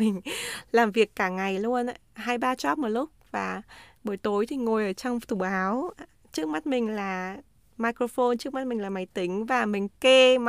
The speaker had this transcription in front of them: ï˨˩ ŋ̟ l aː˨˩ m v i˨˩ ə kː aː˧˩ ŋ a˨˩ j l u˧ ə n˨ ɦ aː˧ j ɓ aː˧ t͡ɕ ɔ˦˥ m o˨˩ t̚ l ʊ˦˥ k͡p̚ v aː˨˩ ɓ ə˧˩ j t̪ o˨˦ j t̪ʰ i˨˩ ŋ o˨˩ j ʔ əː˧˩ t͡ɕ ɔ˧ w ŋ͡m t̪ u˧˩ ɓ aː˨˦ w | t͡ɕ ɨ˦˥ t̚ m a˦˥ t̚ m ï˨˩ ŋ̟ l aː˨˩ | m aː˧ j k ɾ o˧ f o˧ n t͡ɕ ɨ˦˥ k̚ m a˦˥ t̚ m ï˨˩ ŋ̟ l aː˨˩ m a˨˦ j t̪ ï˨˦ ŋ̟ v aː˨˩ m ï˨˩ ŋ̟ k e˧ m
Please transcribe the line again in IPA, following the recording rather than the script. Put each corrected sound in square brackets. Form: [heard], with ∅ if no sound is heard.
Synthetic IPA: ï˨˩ ŋ̟ l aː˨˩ m v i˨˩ ə kː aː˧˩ ŋ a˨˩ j l u˧ ə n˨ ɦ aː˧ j ɓ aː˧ t͡ɕ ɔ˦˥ m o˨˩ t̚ l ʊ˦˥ k͡p̚ v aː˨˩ ɓ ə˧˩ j t̪ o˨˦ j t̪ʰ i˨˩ ŋ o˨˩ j ʔ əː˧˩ t͡ɕ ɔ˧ w ŋ͡m t̪ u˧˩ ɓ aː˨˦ w | t͡ɕ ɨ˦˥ [k̚] m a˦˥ t̚ m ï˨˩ ŋ̟ l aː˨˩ | m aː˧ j k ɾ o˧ f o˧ n t͡ɕ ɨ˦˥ k̚ m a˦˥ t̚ m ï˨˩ ŋ̟ l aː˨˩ m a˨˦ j t̪ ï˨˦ ŋ̟ v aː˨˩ m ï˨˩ ŋ̟ k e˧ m